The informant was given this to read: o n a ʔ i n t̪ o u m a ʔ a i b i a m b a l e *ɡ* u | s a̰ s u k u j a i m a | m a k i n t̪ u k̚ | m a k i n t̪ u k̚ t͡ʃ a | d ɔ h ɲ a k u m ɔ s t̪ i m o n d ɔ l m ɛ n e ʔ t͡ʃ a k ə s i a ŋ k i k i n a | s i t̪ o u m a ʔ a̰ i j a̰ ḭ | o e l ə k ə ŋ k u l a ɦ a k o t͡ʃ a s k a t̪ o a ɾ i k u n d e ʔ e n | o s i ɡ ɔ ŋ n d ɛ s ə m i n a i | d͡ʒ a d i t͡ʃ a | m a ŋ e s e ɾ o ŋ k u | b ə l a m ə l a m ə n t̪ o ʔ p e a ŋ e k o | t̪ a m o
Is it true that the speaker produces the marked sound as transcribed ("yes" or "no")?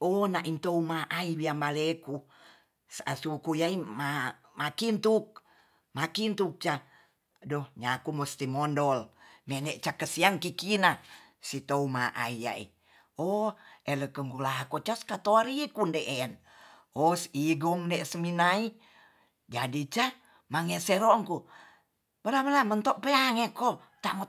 no